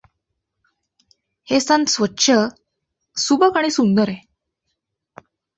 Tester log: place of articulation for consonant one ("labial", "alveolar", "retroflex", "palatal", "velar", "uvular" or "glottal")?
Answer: glottal